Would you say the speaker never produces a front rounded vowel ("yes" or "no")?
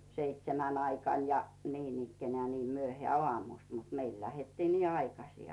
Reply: no